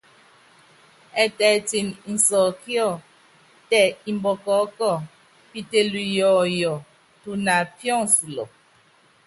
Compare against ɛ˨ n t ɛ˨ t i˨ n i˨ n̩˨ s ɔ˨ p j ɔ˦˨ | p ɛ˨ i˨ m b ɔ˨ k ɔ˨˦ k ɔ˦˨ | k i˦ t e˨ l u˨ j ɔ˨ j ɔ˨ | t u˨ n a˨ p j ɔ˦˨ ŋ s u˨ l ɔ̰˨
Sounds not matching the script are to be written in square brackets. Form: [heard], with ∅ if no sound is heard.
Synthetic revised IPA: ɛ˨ [∅] t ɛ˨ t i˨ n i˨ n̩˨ s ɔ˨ [k] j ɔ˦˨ | [t] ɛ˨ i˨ m b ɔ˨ k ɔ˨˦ k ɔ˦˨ | [p] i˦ t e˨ l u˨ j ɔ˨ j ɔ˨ | t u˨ n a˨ p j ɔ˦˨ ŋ s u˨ l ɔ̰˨